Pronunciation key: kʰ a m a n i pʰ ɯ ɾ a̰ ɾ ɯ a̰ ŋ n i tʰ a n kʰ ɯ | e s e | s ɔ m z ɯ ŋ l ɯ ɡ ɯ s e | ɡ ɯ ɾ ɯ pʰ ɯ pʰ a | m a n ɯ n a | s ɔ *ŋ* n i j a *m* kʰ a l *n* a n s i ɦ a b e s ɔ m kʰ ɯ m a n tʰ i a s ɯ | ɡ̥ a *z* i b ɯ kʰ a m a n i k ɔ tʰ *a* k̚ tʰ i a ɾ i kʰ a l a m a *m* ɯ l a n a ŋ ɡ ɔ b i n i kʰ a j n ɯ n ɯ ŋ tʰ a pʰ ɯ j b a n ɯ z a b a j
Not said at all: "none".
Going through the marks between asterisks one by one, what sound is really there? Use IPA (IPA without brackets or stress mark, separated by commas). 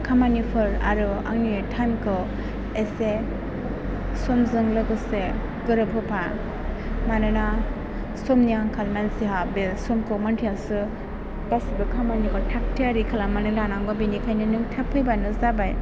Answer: m, ŋ, m, s, a, n